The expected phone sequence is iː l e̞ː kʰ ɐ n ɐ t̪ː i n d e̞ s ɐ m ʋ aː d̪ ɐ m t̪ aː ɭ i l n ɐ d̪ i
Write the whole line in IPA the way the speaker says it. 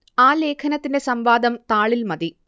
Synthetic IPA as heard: aː l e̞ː kʰ ɐ n ɐ t̪ː i n d e̞ s ɐ m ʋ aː d̪ ɐ m t̪ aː ɭ i l m ɐ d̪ i